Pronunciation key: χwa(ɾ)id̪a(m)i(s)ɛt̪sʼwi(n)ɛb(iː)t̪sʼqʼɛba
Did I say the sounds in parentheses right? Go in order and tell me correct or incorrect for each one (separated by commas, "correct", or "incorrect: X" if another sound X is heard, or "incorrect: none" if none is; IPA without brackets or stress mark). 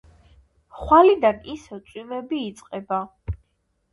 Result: incorrect: l, incorrect: n, correct, incorrect: m, correct